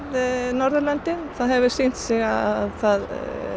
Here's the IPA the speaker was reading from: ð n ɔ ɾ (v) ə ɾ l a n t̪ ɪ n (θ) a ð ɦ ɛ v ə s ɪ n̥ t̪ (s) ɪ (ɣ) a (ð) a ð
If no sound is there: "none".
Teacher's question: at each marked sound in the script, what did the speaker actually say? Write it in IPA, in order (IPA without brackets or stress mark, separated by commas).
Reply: ð, θ, s, ɣ, θ